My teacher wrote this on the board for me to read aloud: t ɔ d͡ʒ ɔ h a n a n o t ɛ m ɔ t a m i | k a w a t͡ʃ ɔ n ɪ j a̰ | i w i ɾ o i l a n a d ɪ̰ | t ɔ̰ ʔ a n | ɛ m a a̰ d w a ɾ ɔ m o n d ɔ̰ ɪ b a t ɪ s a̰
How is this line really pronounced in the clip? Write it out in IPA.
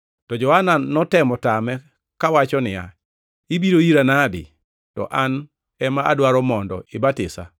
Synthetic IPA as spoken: t ɔ d͡ʒ ɔ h a n a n ɔ t ɛ m ɔ t a m ɛ | k a w a t͡ʃ ɔ n ɪ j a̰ | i b i ɾ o i ɾ a n a d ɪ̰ | t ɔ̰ ʔ a n | ɛ m a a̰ d w a ɾ ɔ m ɔ n d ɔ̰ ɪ b a t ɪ s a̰

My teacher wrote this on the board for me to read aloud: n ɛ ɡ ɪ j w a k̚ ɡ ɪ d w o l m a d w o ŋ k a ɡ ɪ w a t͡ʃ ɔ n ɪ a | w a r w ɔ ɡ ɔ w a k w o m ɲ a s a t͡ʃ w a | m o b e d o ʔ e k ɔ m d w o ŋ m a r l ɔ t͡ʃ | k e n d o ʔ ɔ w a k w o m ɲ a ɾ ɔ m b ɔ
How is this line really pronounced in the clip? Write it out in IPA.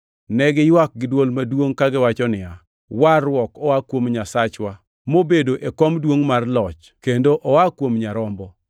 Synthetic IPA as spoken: n ɛ ɡ ɪ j w a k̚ ɡ ɪ d w o l m a d w o ŋ k a ɡ ɪ w a t͡ʃ ɔ n ɪ a | w a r w ɔ k ɔ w a k w o m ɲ a s a t͡ʃ w a | m o b e d o ʔ e k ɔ m d w o ŋ m a r l ɔ t͡ʃ | k e n d o ʔ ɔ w a k w o m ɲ a ɾ ɔ m b ɔ

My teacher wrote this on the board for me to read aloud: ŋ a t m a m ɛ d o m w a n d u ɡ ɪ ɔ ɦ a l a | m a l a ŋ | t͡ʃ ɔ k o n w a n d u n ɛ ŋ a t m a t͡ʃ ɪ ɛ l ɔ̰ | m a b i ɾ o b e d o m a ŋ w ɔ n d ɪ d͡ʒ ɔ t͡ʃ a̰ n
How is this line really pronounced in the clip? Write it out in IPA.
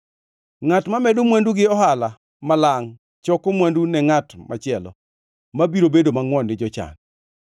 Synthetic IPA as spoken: ŋ a t m a m ɛ d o m w a n d u ɡ ɪ ɔ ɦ a l a | m a l a ŋ | t͡ʃ ɔ k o m w a n d u n ɛ ŋ a t m a t͡ʃ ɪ ɛ l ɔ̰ | m a b i ɾ o b e d o m a ŋ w ɔ n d ɪ d͡ʒ ɔ t͡ʃ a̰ n

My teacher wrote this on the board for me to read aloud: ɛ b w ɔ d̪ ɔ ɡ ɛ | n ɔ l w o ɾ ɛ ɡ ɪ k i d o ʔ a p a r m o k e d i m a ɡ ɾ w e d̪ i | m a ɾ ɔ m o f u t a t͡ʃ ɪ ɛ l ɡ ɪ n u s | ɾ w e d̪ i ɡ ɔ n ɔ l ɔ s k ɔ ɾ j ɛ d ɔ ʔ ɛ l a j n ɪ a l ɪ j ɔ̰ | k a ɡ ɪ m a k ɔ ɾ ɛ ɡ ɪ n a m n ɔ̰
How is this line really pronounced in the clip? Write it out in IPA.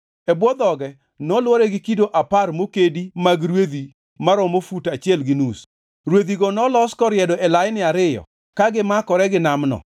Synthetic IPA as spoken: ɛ b w ɔ d̪ ɔ ɡ ɛ | n ɔ l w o ɾ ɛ ɡ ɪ k i d o ʔ a p a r m o k e d i m a ɡ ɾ w e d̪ i | m a ɾ ɔ m o f u t a t͡ʃ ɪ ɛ l ɡ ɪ n u s | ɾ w e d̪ i ɡ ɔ n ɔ l ɔ s k ɔ ɾ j ɛ d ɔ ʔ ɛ l a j n ɪ a ɾ ɪ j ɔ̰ | k a ɡ ɪ m a k ɔ ɾ ɛ ɡ ɪ n a m n ɔ̰

